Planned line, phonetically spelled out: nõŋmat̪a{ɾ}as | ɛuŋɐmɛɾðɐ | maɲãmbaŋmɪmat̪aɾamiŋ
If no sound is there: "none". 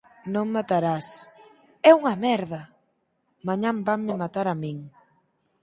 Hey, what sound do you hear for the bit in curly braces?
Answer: ɾ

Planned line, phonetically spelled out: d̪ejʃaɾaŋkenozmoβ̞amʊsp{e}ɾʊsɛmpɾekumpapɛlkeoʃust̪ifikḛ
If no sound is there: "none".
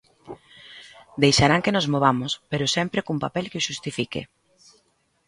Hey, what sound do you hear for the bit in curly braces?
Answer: e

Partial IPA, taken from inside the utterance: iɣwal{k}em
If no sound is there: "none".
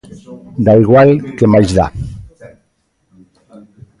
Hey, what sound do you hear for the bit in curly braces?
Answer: k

